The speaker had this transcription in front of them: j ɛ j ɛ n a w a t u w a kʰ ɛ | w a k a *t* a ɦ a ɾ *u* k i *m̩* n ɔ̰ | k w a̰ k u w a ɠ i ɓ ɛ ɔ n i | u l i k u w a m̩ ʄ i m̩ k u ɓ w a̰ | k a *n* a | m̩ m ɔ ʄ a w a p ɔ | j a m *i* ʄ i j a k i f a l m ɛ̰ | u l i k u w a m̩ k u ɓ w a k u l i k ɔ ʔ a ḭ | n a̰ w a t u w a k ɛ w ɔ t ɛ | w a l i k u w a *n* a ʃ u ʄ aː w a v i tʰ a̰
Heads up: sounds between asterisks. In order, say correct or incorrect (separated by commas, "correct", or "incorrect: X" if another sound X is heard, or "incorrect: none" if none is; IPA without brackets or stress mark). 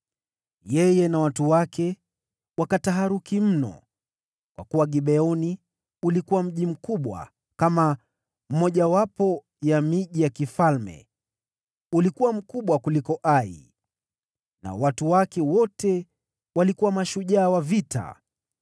correct, correct, correct, incorrect: m, correct, incorrect: m